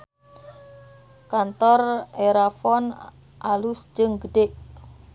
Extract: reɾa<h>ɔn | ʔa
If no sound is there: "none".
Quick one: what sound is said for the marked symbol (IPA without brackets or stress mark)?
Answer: f